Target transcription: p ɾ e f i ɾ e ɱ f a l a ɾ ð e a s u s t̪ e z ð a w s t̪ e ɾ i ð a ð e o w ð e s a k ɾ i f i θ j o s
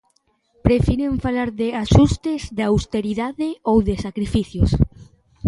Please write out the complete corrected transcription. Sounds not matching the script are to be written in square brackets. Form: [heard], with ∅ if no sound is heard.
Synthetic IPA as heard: p ɾ e f i ɾ e ɱ f a l a ɾ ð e a [ʃ] u s t̪ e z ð a w s t̪ e ɾ i ð a ð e o w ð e s a k ɾ i f i θ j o s